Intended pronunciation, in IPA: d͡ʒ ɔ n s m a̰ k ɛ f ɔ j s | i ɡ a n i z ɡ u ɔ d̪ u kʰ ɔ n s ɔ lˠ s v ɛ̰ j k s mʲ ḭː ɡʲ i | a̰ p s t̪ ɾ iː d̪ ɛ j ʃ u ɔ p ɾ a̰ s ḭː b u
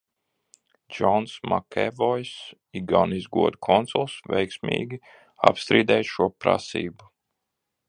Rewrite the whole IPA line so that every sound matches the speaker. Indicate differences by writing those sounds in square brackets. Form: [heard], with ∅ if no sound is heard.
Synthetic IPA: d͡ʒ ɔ n s m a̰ k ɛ [v] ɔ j s | i ɡ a n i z ɡ u ɔ d̪ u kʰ ɔ n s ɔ lˠ s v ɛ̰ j k s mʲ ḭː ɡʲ i | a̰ p s t̪ ɾ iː d̪ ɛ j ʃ u ɔ p ɾ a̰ s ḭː b u